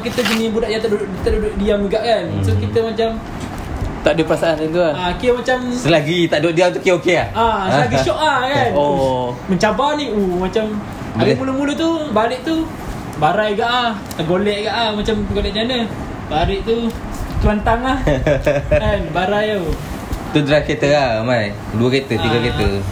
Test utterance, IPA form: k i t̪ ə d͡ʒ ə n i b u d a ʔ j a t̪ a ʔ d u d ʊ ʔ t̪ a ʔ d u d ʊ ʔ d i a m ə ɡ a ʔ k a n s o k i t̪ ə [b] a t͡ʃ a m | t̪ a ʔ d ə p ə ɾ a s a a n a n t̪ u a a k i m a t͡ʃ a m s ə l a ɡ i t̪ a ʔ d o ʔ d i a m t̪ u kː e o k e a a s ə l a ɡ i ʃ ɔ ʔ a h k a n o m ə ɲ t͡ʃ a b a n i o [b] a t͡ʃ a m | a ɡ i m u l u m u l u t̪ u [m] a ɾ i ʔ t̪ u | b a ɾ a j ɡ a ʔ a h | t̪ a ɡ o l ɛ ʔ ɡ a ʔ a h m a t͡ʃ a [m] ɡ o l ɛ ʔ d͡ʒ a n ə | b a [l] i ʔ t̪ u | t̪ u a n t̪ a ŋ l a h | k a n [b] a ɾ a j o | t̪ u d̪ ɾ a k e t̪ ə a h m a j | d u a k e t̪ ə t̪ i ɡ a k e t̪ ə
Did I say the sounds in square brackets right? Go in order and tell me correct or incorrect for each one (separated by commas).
incorrect, incorrect, incorrect, correct, incorrect, correct